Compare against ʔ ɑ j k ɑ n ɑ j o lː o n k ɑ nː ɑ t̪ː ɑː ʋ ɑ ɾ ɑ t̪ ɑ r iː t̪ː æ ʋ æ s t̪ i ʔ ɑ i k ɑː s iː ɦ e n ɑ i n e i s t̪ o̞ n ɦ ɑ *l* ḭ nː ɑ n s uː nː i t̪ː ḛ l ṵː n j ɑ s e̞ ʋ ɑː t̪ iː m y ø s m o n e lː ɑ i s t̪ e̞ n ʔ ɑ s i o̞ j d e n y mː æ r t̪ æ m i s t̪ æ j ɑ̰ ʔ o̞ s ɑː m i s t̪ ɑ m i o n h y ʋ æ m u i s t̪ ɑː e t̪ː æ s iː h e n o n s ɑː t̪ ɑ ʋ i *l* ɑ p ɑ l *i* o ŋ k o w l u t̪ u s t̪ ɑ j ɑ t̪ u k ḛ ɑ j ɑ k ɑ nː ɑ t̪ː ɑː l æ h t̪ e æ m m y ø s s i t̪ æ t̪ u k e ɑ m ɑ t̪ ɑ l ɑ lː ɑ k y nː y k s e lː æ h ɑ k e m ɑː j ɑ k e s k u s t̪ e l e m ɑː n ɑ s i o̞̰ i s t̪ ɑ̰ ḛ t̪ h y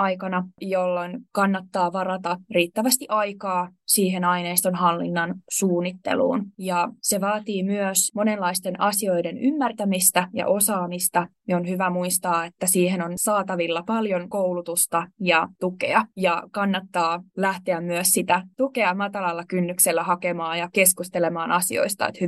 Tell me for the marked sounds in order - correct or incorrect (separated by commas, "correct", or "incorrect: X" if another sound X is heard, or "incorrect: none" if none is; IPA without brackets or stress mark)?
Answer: incorrect: lː, incorrect: lː, incorrect: j